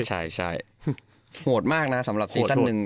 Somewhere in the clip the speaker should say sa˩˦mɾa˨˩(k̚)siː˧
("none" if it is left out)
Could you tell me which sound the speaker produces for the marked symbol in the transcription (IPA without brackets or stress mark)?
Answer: p̚